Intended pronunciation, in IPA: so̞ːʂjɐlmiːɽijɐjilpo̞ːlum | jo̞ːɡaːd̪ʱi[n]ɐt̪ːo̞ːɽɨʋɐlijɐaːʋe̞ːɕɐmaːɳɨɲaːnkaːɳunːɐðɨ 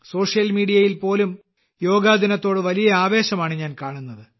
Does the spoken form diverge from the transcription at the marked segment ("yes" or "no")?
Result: no